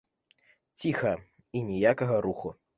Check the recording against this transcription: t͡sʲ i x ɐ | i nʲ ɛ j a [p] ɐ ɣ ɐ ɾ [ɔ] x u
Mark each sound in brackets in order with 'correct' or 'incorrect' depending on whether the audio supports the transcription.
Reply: incorrect, incorrect

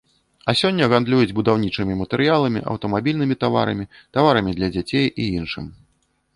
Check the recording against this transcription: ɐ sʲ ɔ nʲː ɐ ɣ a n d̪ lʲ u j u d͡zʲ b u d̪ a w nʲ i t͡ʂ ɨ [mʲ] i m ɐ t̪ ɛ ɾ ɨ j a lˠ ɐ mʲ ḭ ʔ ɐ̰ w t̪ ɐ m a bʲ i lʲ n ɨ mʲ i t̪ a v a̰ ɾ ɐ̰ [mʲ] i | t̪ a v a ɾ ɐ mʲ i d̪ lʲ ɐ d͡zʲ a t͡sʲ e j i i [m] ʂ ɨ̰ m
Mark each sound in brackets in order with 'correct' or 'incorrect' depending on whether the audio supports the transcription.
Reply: correct, correct, incorrect

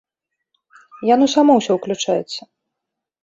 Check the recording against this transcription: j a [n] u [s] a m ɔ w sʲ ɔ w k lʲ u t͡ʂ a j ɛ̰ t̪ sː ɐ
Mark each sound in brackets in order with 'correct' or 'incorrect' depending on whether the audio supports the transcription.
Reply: correct, correct

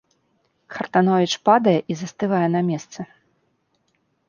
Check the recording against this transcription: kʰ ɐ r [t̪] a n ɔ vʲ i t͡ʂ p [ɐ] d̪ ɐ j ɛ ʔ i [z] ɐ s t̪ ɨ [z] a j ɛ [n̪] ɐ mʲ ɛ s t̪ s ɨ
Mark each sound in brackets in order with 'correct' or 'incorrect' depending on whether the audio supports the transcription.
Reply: correct, incorrect, correct, incorrect, correct

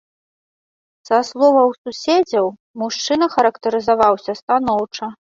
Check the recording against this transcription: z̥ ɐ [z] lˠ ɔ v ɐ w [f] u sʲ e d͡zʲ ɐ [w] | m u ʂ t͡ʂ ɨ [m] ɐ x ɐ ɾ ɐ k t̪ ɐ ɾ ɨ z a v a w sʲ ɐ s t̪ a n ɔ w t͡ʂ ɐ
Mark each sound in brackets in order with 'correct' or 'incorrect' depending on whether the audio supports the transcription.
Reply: incorrect, incorrect, correct, incorrect

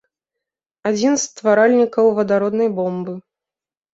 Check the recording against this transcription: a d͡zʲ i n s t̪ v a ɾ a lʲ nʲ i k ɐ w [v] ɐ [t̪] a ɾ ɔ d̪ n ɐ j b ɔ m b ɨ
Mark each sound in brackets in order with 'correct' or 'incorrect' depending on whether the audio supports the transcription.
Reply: correct, incorrect

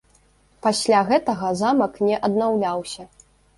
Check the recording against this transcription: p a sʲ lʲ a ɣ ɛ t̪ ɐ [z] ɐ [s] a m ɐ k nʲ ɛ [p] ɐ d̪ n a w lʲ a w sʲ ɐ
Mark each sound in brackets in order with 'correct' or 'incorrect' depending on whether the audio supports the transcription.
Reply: incorrect, incorrect, incorrect

